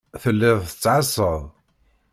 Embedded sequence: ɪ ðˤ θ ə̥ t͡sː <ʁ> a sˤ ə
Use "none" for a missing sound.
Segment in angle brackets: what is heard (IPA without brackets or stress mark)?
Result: ʕ